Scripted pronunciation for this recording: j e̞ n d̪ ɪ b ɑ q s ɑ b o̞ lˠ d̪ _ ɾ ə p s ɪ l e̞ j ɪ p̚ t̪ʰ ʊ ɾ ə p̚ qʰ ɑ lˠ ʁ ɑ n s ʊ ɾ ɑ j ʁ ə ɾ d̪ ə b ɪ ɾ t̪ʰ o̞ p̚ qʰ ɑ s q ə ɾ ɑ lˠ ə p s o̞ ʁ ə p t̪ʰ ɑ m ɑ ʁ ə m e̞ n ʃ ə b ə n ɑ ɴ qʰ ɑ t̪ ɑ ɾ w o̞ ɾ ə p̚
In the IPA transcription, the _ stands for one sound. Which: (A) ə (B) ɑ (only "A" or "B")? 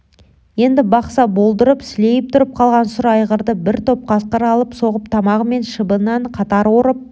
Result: A